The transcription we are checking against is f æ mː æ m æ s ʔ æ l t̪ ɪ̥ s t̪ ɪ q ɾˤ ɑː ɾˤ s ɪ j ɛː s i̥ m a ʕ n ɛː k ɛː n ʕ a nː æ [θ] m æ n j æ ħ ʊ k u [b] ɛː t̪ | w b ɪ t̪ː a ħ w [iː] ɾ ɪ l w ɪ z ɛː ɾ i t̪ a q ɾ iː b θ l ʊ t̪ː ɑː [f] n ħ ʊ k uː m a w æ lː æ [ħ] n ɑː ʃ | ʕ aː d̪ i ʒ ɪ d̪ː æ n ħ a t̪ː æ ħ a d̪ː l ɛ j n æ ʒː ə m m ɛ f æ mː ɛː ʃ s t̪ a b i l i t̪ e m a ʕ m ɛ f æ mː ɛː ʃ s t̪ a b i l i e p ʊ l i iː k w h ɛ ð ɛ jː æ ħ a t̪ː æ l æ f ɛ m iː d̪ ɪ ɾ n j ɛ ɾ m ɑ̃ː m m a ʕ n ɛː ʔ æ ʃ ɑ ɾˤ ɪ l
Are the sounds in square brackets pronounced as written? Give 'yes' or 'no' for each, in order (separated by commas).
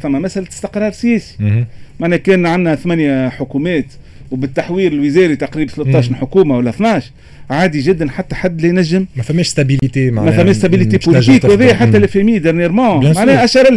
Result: yes, no, yes, no, no